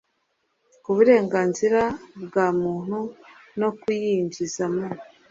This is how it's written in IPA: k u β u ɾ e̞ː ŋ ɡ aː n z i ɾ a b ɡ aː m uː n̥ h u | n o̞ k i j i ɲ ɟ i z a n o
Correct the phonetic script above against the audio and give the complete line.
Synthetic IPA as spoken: k u β u ɾ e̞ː ŋ ɡ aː n z i ɾ a b ɡ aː m uː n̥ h u | n o̞ k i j i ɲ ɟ i z a m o